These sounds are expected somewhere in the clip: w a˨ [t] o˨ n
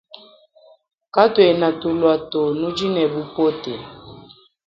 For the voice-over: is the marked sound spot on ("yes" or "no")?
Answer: yes